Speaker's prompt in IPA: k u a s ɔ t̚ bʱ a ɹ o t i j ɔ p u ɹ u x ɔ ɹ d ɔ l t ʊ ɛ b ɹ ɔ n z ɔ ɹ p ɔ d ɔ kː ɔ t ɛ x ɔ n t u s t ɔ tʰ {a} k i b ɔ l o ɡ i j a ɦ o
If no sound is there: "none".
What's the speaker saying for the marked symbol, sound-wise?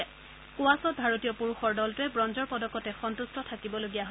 a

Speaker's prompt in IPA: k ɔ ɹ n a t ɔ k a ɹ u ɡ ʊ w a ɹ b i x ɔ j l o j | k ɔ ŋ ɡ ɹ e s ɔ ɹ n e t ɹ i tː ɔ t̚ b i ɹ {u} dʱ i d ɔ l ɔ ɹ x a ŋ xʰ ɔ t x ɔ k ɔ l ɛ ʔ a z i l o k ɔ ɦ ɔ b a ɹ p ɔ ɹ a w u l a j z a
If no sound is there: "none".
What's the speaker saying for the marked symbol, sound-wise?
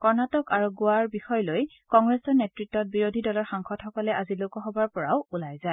o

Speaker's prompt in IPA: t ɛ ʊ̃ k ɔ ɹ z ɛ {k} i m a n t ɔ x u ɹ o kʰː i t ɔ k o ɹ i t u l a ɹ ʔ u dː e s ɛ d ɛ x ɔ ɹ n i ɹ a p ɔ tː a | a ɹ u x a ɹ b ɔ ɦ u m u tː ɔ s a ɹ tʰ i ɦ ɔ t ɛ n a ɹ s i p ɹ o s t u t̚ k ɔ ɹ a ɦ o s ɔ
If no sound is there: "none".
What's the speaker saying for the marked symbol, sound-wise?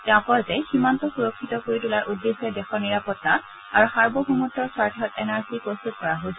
x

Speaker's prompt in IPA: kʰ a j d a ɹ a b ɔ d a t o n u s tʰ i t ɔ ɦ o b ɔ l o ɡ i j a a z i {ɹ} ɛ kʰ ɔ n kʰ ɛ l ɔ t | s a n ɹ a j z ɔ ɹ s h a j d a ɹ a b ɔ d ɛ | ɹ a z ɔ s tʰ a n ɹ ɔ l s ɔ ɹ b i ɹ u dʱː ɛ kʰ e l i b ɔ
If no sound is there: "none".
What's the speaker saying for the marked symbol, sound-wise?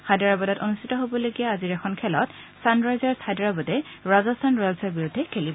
ɹ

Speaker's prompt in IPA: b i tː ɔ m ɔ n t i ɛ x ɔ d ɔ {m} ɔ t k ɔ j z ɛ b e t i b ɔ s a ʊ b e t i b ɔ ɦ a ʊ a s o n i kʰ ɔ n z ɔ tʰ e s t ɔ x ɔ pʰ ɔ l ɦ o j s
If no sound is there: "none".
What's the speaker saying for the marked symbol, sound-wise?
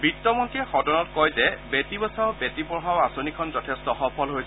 n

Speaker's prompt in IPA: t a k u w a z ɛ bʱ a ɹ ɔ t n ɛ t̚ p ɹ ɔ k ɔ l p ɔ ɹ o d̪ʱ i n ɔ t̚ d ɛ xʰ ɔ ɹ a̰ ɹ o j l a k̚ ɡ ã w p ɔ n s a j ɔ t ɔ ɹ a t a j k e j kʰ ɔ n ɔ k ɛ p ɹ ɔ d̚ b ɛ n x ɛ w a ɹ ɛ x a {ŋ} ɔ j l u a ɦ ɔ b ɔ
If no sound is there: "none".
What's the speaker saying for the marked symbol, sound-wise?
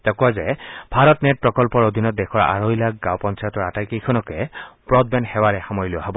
m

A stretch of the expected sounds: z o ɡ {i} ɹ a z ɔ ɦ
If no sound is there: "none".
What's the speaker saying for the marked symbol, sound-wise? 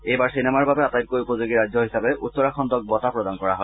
i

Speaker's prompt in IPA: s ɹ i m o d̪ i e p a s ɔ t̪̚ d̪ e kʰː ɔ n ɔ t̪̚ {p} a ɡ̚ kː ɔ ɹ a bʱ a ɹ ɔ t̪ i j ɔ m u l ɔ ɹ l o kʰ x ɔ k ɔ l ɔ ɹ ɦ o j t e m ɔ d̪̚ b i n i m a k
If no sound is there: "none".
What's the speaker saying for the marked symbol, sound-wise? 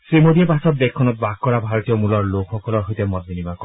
b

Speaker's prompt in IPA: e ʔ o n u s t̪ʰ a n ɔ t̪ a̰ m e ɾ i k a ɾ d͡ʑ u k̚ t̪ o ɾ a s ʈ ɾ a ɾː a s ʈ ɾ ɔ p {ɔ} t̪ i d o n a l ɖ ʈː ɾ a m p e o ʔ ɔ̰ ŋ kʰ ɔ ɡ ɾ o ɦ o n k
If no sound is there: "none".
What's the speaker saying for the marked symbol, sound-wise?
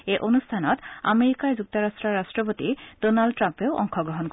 o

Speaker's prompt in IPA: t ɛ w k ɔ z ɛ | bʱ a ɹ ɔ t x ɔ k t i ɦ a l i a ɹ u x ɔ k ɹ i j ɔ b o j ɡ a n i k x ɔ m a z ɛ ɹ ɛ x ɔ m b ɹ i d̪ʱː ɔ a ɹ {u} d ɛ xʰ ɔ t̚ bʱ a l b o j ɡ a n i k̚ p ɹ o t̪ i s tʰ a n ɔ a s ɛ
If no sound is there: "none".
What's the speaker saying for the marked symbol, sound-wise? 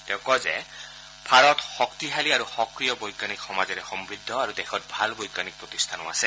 u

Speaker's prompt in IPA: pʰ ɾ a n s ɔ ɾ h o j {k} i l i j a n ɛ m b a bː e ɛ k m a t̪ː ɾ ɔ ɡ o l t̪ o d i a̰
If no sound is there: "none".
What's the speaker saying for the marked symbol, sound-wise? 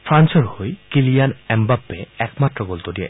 k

